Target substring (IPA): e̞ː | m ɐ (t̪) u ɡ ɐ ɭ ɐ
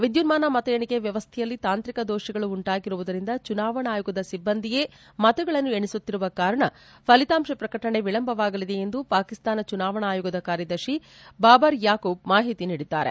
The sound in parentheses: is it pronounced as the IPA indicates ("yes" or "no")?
yes